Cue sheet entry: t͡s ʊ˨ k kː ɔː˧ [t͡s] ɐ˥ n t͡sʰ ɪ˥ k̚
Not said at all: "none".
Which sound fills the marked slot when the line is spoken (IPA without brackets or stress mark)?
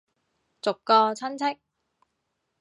t͡sʰ